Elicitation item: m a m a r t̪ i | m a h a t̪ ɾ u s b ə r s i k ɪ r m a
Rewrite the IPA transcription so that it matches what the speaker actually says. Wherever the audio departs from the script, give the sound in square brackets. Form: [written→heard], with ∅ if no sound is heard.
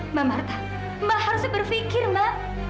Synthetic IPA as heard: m a m a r t̪ [i→a] | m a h a [t̪→∅] ɾ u s b ə r [s→f] i k ɪ r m a